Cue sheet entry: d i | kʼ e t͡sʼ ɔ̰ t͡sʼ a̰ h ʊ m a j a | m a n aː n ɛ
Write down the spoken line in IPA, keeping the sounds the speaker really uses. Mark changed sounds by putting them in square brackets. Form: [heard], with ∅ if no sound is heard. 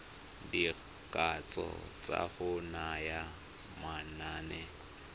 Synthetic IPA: d i | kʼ [a] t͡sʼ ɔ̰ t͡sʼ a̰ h ʊ [n] a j a | m a n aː n ɛ